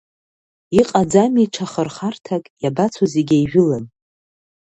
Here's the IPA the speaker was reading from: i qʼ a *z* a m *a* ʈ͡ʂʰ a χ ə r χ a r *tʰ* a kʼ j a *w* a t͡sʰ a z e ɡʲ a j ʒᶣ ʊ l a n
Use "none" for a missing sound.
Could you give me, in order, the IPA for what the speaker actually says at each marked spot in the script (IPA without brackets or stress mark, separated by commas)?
d͡z, i, tʰ, b